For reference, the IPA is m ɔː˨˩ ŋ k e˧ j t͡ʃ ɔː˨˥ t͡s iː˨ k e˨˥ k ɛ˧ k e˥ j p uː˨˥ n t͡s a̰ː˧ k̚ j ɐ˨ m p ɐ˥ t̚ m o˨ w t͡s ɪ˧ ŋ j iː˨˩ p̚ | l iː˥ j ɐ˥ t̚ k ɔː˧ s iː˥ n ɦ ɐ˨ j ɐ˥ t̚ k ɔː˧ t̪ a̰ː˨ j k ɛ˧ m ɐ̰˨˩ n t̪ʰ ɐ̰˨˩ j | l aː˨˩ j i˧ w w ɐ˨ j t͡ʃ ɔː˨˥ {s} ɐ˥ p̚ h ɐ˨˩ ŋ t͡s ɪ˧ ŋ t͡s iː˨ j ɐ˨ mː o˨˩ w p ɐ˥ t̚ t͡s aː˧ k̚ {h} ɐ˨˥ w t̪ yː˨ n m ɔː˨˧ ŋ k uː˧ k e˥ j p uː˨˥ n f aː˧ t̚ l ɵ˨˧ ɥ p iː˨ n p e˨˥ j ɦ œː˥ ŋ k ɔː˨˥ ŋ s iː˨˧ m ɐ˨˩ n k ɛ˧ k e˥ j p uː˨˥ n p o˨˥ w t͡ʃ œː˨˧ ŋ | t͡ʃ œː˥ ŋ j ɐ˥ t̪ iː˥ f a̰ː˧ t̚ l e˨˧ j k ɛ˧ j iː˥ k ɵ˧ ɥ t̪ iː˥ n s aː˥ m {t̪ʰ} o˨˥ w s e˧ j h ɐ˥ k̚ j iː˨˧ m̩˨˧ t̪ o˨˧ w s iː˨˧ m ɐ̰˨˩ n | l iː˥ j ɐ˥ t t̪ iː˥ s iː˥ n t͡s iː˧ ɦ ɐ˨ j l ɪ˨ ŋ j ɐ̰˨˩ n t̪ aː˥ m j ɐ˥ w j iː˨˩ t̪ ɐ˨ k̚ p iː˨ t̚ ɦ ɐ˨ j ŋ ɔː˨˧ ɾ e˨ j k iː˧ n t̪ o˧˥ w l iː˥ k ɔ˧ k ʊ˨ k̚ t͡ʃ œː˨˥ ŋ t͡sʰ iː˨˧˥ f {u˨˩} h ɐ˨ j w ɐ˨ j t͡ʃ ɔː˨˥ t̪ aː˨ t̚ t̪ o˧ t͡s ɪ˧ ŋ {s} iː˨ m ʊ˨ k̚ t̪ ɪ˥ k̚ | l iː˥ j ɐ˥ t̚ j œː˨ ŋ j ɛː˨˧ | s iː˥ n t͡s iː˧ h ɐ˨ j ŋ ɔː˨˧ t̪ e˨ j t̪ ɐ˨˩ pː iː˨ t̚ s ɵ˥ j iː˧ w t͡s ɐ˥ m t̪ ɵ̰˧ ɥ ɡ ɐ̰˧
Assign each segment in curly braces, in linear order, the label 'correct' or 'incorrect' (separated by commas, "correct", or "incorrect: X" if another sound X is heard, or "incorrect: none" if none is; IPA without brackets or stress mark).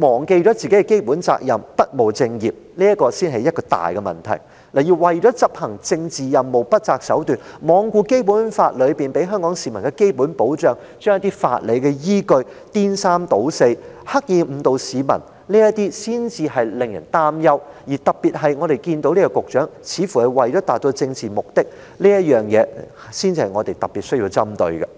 incorrect: t͡s, incorrect: s, incorrect: t̪, correct, incorrect: t͡s